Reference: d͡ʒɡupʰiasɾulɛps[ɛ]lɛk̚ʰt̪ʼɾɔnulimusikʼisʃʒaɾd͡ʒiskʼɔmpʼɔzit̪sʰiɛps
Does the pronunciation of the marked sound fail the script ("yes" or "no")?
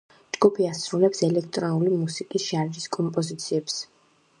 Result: no